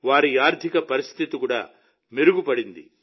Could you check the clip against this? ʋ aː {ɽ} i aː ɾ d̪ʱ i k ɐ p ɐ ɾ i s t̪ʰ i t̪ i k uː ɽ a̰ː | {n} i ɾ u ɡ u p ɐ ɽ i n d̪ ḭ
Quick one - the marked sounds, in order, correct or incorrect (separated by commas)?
incorrect, incorrect